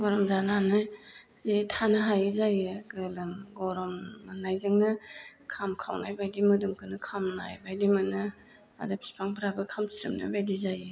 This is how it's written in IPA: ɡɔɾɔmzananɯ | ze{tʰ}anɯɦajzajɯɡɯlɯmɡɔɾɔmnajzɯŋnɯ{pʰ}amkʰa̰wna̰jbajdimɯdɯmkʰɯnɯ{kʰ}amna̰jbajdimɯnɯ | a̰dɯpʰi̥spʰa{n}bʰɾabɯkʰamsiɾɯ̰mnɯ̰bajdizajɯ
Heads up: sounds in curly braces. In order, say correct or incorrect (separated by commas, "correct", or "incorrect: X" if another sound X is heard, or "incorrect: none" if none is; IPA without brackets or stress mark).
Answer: correct, incorrect: kʰ, correct, incorrect: ŋ